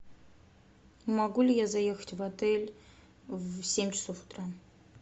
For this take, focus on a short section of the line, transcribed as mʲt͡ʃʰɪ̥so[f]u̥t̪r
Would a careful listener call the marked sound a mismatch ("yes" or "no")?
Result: no